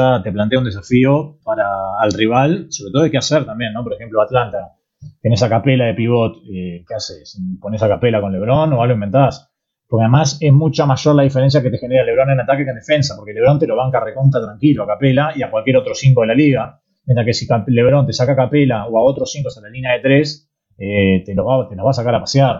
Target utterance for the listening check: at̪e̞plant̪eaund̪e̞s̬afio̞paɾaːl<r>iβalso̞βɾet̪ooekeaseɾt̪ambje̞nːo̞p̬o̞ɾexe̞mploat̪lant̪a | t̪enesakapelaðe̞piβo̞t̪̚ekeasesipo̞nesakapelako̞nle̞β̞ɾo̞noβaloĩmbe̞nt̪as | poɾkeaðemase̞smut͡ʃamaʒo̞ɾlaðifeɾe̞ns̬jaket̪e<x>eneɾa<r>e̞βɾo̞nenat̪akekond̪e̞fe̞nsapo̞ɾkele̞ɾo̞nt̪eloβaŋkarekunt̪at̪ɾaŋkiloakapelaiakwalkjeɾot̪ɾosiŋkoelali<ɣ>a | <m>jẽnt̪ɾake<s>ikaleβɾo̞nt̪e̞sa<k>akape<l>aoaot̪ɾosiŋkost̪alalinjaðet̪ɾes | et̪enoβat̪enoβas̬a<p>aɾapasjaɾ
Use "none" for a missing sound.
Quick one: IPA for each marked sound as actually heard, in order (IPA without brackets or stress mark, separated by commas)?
r, x, l, ɣ, m, s, k, l, k